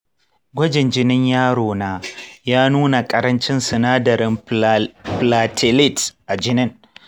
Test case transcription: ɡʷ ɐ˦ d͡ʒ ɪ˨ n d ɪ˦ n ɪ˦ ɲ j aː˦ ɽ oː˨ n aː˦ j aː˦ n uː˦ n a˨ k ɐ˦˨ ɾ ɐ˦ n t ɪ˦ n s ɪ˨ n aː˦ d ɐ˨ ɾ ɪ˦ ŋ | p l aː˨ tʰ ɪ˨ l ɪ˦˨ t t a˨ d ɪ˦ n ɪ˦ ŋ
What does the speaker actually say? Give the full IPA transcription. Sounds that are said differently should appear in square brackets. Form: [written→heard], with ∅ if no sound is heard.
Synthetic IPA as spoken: ɡʷ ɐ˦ d͡ʒ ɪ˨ n [d→d͡ʒ] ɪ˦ n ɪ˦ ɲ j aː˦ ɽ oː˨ n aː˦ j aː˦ n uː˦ n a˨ [k→kʼ] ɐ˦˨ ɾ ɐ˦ n [t→t͡ʃ] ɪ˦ n s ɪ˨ n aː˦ d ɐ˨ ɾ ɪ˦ [ŋ→m] | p l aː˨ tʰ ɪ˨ l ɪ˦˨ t [t→ʔ] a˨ [d→d͡ʒ] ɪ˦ n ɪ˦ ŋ